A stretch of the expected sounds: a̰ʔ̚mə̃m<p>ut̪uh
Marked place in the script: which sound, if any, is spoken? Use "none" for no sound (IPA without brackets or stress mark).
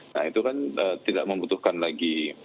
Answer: b